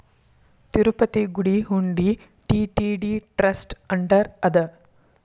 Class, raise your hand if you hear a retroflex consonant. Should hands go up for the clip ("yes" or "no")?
yes